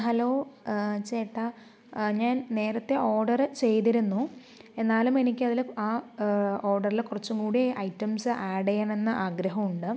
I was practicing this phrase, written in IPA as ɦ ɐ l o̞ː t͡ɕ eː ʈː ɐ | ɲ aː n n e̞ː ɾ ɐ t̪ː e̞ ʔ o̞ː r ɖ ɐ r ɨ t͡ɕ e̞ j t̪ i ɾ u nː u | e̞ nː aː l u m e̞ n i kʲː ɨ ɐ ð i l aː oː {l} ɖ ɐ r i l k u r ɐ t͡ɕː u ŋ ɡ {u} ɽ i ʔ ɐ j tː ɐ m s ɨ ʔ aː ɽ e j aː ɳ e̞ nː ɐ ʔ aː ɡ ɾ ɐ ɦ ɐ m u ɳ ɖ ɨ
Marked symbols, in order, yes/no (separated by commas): no, no